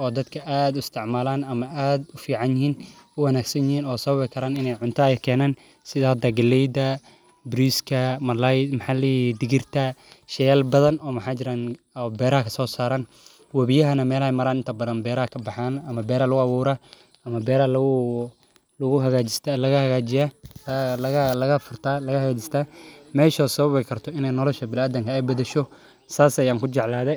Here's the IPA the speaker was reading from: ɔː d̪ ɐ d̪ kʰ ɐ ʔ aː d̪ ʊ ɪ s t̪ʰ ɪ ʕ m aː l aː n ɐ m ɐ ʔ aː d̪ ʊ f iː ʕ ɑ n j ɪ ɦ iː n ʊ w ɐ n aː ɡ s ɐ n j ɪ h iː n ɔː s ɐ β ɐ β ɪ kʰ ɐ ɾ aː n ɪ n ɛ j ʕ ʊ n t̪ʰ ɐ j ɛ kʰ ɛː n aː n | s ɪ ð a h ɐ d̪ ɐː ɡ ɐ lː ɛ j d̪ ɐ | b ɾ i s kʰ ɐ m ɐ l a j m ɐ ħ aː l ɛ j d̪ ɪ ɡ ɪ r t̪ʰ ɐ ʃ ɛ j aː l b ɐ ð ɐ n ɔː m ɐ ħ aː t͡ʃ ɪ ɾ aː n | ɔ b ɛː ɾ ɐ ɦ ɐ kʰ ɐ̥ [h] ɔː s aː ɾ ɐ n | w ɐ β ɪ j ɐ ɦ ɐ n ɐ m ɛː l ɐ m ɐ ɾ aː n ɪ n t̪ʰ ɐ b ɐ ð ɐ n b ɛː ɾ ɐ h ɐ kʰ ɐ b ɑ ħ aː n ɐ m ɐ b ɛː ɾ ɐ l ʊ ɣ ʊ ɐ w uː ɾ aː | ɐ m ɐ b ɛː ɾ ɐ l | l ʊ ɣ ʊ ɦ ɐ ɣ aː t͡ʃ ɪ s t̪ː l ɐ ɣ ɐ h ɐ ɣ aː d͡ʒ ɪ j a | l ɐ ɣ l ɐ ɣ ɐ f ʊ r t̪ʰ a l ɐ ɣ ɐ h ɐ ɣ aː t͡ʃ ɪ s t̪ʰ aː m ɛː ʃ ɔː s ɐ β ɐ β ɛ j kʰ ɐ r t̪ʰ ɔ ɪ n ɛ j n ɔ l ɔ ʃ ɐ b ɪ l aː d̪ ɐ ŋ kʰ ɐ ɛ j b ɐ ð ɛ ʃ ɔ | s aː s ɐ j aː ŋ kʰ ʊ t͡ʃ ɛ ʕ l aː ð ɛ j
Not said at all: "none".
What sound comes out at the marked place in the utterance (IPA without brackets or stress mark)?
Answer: s